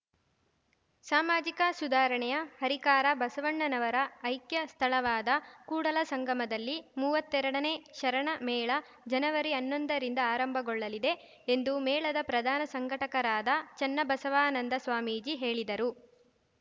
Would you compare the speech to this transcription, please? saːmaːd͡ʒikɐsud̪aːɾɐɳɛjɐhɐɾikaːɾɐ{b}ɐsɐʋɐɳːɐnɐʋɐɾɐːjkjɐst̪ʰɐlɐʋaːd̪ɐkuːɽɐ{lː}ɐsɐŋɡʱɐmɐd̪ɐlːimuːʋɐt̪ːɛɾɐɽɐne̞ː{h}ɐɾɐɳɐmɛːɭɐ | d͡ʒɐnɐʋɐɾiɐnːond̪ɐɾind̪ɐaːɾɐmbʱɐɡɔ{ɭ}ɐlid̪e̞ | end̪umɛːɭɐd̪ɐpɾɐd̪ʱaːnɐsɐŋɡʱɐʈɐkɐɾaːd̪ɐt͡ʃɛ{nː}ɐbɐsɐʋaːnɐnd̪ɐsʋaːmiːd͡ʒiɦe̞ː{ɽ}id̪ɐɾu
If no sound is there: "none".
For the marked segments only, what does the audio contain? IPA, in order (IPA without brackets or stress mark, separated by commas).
b, l, ʃ, ɭː, nː, ɭ